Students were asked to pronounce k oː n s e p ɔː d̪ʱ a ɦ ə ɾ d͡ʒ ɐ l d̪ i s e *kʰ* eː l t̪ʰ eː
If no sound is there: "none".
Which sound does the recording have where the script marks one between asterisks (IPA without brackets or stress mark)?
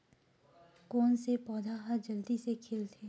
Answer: kʰ